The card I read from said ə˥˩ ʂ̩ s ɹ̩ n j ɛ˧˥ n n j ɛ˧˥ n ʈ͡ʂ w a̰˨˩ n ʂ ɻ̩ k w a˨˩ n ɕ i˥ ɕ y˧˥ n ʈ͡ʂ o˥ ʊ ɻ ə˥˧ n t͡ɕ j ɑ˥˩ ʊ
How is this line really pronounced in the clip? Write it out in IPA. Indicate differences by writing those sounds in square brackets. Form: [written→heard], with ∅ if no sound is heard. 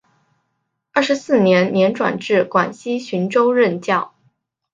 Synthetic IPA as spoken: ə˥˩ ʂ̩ s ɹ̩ n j ɛ˧˥ n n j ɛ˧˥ n ʈ͡ʂ w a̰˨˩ n [ʂ→ʈ͡ʂ] ɻ̩ k w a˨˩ n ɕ i˥ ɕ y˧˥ n ʈ͡ʂ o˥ ʊ ɻ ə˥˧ n t͡ɕ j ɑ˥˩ ʊ